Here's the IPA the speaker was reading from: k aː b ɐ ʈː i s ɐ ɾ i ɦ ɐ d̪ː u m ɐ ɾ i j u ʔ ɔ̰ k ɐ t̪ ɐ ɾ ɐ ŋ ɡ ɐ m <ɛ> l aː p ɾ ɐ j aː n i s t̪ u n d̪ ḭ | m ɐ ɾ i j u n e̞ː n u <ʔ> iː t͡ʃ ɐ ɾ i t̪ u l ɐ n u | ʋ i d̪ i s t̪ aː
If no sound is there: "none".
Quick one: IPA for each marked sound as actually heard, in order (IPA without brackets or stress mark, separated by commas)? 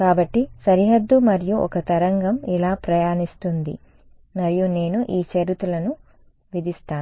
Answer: i, ʔ